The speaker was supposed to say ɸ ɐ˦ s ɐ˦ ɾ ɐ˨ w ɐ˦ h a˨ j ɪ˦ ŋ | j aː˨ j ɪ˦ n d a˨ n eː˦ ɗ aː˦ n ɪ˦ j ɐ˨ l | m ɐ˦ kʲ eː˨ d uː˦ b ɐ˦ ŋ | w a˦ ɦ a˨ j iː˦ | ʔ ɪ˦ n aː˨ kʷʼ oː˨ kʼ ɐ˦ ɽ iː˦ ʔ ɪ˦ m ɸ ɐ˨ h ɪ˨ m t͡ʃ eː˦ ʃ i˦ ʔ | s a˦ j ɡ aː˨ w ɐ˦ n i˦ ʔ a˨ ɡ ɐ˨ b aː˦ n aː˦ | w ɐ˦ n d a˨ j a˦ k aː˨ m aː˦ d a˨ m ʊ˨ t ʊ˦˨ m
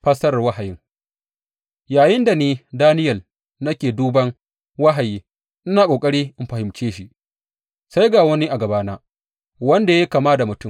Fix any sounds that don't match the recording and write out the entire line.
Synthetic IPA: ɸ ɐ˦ s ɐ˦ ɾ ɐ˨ w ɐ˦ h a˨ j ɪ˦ ŋ | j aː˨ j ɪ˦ n d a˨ n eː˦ d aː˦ n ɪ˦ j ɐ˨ l | n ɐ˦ kʲ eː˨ d uː˦ b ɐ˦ ŋ | w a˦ ɦ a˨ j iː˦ | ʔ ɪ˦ n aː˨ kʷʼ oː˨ kʼ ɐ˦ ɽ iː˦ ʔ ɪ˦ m ɸ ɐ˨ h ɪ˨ m t͡ʃ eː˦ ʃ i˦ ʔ | s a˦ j ɡ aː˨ w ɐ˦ n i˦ ʔ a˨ ɡ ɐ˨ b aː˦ n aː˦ | w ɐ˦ n d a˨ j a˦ k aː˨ m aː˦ d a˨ m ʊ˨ t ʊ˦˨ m

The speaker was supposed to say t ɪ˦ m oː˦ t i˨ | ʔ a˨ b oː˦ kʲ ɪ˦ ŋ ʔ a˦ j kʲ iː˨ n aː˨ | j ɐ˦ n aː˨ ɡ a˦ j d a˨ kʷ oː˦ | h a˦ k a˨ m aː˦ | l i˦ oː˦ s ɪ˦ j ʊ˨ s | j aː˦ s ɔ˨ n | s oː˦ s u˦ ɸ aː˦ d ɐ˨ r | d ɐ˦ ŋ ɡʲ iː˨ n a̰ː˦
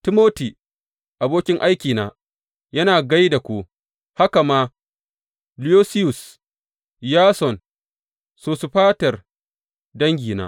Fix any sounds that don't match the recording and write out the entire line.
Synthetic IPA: t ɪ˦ m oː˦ t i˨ | ʔ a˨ b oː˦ kʲ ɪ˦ ŋ ʔ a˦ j kʲ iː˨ n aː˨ | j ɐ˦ n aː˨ ɡ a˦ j d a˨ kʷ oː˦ | h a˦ k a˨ m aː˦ | l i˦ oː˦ s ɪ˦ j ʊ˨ s | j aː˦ s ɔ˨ n | s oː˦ s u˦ ɸ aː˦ t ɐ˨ r | d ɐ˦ ŋ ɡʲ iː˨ n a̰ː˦

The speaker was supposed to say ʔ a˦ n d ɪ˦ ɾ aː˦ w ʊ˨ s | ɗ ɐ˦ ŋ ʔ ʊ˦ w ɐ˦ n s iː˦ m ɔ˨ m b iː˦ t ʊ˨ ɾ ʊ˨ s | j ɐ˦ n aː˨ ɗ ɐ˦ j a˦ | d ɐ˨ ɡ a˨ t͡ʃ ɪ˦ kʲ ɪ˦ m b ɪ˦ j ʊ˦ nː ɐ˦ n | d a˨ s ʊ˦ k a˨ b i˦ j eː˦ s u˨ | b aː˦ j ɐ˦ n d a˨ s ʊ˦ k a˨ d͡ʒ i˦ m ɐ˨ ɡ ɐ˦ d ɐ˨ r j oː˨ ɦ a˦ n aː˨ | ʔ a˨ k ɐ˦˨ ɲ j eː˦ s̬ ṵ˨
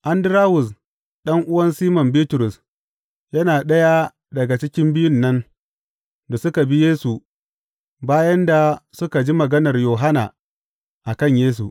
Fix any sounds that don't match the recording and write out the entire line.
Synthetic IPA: ʔ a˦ n d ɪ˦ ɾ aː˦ w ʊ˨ s | ɗ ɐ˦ ŋ ʔ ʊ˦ w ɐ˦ n s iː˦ m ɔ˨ m b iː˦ t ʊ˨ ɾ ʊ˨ s | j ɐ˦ n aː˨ ɗ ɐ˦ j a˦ | d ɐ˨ ɡ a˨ t͡ʃ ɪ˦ kʲ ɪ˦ m b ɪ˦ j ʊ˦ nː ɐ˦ n | d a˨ s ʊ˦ k a˨ b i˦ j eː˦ s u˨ | b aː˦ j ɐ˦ n d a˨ s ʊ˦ k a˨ d͡ʒ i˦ m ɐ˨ ɡ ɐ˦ n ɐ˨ r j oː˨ ɦ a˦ n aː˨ | ʔ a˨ k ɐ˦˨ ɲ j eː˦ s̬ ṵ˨

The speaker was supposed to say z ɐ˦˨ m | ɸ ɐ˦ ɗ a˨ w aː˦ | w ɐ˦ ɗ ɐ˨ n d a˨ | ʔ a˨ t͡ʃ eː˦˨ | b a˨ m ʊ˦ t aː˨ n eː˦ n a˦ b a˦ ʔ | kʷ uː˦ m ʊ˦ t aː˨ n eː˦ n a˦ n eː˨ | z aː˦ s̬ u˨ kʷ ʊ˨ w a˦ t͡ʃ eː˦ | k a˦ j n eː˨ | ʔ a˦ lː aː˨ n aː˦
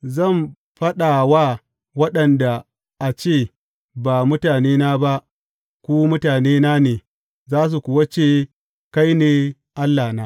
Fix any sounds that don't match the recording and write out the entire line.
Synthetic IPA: z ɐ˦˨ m | ɸ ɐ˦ ɗ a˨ w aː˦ | w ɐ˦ ɗ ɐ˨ n d a˨ | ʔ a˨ t͡ʃ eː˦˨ | b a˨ m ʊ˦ t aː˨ n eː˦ n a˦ b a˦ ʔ | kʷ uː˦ m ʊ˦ t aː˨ n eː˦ n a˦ n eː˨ | z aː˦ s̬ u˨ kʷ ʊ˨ w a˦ t͡ʃ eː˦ | k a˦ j n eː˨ | ʔ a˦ lː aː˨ n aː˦

